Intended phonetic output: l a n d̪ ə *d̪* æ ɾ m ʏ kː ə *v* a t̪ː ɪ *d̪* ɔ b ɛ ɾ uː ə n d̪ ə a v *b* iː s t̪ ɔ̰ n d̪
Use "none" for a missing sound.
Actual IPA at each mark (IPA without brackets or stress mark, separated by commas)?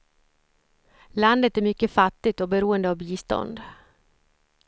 t̪, f, t̪, b